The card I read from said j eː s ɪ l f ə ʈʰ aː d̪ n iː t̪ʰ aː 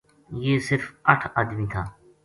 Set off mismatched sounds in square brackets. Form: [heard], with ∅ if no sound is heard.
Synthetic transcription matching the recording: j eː s ɪ [ɾ] f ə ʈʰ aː d̪ [m] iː t̪ʰ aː